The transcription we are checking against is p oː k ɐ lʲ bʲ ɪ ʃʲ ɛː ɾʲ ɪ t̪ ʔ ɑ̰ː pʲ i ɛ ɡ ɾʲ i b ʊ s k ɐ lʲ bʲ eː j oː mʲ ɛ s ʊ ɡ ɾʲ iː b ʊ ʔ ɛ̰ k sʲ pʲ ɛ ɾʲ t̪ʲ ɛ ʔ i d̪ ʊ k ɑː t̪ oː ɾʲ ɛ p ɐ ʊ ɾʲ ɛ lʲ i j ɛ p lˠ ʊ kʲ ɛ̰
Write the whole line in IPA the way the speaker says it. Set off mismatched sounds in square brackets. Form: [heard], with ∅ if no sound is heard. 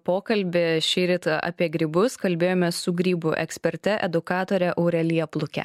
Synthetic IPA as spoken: p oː k ɐ lʲ bʲ ɪ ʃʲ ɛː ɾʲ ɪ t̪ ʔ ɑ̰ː pʲ i ɛ ɡ ɾʲ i b ʊ s k ɐ lʲ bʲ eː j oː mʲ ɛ s ʊ ɡ ɾʲ iː b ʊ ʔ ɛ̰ k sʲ pʲ ɛ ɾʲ t̪ʲ ɛ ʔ [ɛ] d̪ ʊ k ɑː t̪ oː ɾʲ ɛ [ʔ] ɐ ʊ ɾʲ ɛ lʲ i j ɛ p lˠ ʊ kʲ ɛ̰